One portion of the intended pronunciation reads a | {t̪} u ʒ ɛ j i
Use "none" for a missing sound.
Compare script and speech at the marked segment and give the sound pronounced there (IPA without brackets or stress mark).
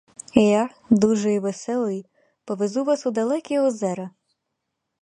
d̪